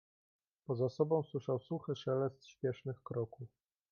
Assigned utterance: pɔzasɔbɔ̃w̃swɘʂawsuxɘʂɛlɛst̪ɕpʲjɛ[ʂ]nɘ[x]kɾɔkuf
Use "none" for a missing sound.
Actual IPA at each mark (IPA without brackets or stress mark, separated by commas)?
ʂ, x